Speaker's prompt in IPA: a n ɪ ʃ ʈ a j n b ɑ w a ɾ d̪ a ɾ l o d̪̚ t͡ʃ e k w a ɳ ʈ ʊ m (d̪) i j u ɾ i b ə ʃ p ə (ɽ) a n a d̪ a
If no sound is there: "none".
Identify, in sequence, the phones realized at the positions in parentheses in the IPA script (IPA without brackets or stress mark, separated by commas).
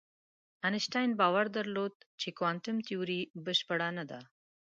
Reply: t̪, ɽ